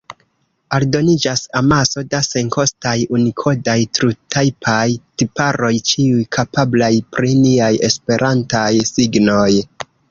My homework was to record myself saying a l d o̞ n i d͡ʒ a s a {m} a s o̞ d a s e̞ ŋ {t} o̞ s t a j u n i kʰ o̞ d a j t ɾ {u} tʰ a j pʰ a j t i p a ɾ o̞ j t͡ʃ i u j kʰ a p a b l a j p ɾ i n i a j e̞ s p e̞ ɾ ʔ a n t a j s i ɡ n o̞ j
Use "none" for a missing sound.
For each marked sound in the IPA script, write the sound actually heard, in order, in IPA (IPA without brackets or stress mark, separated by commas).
m, k, u